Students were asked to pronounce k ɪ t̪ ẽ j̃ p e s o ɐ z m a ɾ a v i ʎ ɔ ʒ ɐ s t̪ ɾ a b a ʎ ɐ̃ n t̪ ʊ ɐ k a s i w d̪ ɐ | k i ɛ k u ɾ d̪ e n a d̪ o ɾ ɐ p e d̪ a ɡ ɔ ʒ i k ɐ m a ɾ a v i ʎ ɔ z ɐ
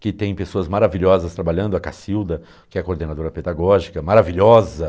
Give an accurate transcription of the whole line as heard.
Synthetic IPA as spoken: k ɪ t̪ ẽ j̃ p e s o ɐ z m a ɾ a v i ʎ ɔ z ɐ s t̪ ɾ a b a ʎ ɐ̃ n d̪ ʊ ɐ k a s i w d̪ ɐ | k ɪ ɛ k o ɾ d̪ e n a d̪ o ɾ ɐ p e d̪ a ɡ ɔ ʒ i k ɐ m a ɾ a v i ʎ ɔ z ɐ